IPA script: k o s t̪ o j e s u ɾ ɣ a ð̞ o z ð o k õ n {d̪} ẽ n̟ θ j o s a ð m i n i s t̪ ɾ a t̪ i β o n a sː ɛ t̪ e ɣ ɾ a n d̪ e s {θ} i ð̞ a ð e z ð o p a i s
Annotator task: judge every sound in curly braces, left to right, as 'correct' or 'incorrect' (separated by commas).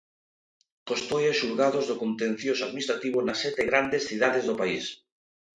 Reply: incorrect, correct